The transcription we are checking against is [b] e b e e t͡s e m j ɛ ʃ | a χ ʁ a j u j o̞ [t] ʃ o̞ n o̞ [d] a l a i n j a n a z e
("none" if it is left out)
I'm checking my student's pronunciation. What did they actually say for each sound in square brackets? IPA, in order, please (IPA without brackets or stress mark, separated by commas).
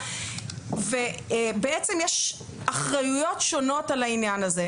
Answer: v, t, t